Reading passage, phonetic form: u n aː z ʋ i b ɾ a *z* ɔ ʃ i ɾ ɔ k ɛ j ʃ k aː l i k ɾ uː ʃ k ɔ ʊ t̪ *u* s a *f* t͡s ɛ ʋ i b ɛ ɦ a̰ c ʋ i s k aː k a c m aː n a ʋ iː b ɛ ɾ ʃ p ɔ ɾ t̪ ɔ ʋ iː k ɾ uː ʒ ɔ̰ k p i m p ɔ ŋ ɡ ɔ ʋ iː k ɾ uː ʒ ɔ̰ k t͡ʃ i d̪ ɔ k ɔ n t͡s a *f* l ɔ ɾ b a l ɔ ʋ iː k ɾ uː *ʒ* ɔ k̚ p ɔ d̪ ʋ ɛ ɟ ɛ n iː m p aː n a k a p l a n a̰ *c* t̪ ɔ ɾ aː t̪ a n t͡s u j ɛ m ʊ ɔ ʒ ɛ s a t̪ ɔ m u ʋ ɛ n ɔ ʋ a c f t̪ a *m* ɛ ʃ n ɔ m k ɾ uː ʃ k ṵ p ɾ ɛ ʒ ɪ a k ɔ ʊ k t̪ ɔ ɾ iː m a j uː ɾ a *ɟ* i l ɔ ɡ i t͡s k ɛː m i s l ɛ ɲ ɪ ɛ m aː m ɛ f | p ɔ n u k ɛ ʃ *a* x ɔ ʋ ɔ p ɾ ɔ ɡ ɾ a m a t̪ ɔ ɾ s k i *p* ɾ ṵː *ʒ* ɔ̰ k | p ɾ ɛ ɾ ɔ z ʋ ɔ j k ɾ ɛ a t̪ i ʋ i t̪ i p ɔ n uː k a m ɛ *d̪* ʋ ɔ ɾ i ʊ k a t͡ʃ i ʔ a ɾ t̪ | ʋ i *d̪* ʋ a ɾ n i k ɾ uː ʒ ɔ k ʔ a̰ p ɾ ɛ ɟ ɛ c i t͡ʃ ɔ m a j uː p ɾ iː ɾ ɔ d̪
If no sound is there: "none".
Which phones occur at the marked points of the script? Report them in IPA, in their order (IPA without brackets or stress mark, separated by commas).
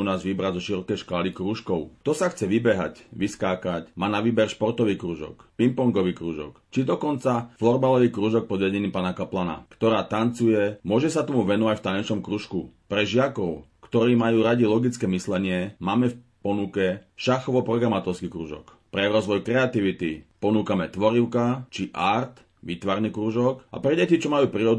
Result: z, ɔ, x, f, ʒ, k, ɲ, ɟ, a, k, ʒ, t̪, t̪